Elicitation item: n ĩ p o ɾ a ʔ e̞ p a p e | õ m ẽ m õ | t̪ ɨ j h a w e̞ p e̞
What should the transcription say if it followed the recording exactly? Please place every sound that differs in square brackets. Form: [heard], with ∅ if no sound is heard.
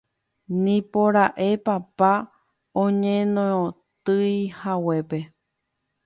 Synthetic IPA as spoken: n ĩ p o ɾ a ʔ e̞ p a p [a] | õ [ɲ] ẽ [n] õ | t̪ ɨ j h a w e̞ p e̞